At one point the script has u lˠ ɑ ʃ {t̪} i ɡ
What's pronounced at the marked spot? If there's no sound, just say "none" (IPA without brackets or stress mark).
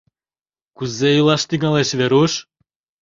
t̪